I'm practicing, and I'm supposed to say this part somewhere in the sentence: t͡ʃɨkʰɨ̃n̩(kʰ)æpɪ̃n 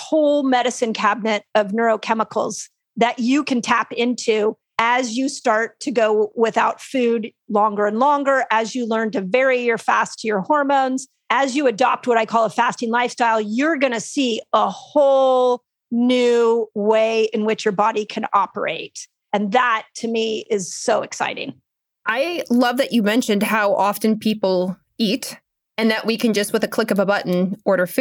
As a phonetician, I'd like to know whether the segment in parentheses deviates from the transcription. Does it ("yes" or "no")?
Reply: yes